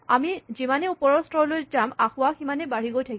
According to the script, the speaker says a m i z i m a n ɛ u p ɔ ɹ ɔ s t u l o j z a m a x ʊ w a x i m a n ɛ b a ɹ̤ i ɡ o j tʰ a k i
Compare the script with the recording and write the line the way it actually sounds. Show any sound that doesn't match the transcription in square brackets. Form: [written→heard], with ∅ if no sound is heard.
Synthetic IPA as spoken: a m i z i m a n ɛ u p ɔ ɹ ɔ s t [u→ɔ] l o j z a m a x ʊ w a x i m a n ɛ b a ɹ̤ i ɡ o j tʰ a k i